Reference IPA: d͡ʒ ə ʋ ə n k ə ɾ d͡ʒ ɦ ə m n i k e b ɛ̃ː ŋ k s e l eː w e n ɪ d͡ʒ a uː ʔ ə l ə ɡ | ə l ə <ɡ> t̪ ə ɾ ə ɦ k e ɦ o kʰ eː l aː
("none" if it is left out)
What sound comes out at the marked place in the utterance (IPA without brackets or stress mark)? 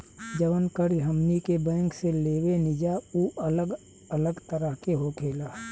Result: ɡ